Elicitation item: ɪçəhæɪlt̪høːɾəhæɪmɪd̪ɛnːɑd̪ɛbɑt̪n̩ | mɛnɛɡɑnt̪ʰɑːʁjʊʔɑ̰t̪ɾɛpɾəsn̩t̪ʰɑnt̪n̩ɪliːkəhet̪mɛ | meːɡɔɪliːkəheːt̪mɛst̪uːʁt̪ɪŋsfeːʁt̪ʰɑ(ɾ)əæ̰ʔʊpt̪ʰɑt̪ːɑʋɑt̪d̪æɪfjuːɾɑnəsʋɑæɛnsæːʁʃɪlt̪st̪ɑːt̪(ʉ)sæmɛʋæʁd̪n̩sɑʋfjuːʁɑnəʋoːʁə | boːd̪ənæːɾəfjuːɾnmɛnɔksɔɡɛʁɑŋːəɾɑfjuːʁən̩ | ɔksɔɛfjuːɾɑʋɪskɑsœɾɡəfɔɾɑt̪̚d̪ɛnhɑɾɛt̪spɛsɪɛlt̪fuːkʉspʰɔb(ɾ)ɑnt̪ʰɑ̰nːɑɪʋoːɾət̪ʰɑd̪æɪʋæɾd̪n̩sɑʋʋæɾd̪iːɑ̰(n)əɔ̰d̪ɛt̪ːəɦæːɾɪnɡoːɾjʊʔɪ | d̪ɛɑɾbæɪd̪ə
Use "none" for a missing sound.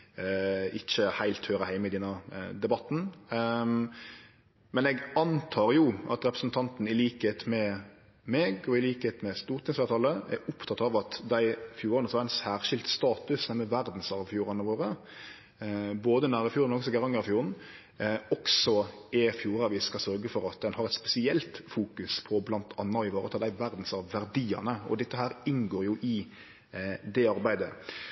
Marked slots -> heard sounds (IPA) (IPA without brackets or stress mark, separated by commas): l, ʉ, l, n